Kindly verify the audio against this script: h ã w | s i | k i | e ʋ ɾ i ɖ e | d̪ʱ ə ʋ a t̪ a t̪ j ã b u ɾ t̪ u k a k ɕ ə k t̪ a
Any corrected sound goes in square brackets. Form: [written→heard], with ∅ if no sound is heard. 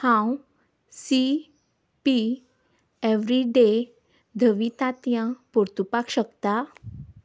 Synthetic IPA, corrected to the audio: h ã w | s i | [k→p] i | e ʋ ɾ i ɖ e | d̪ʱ ə ʋ [a→i] t̪ a t̪ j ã [b→p] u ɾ t̪ u [k→p] a k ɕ ə k t̪ a